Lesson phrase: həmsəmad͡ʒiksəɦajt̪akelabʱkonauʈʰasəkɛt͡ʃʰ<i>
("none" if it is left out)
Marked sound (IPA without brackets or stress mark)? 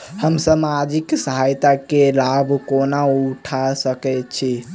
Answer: i